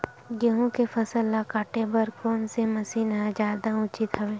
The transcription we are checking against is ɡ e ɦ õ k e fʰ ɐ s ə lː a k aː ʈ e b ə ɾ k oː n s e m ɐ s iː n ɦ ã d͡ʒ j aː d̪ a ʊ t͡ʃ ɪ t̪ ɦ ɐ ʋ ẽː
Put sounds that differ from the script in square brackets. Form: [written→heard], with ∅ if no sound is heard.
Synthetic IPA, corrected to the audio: ɡ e ɦ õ k e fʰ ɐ s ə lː a k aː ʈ e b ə ɾ k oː n s e m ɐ s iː n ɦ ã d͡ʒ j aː d̪ a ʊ t͡ʃ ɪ t̪ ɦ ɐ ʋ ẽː